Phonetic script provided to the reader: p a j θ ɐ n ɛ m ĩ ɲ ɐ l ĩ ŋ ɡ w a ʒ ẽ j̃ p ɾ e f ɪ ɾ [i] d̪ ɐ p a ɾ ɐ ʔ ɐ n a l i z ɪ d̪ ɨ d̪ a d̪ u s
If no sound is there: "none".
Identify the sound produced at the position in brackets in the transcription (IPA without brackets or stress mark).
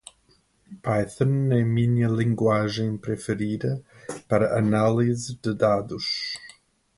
i